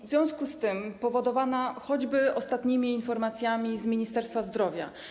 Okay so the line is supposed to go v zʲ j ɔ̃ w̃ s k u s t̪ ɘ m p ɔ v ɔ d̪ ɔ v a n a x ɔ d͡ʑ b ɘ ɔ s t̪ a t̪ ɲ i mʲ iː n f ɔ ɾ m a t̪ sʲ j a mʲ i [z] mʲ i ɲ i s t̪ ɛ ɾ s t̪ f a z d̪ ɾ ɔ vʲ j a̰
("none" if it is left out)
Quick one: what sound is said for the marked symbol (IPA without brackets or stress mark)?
z